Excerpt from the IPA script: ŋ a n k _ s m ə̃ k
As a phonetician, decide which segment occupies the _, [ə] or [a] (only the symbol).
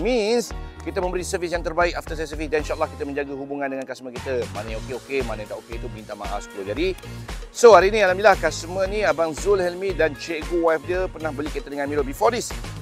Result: a